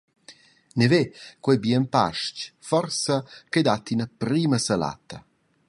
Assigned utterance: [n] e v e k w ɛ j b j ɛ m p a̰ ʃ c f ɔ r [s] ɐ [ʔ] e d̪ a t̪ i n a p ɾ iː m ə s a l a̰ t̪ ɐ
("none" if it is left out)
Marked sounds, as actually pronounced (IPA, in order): n, s, k

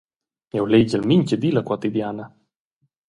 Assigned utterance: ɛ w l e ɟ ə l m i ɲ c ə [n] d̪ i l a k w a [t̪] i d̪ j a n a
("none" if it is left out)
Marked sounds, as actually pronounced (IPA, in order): none, t̪

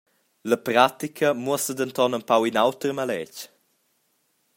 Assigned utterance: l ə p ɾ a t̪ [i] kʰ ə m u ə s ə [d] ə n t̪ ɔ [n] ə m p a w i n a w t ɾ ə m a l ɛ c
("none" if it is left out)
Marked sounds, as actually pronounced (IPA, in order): i, d, n

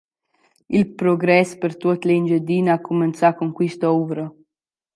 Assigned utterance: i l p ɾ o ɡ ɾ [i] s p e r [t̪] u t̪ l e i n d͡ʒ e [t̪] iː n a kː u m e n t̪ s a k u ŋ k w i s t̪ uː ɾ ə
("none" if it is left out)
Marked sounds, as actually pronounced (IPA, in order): ɛ, t̪, d̪

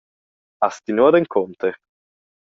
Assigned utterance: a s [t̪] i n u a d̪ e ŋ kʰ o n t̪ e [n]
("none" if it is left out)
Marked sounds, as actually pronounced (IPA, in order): t̪, none

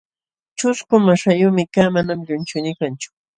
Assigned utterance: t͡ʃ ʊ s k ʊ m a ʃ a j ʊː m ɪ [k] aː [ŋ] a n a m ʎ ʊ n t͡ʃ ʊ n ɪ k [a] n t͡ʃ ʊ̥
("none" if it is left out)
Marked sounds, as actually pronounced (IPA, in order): k, m, a

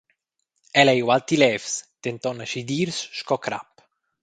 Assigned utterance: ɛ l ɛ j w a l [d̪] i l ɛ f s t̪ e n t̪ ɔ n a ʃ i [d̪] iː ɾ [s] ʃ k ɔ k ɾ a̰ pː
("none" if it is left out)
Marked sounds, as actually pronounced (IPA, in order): t̪, d̪, s

